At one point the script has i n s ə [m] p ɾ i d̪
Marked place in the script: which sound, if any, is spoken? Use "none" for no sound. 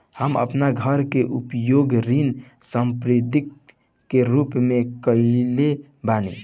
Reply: m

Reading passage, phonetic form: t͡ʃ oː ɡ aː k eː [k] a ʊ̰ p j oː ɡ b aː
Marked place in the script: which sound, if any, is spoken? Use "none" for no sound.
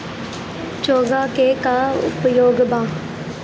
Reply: k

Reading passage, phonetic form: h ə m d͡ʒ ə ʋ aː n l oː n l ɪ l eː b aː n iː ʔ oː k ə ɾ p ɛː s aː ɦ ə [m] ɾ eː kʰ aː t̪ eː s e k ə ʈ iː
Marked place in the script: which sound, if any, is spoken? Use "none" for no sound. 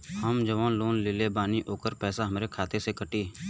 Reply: m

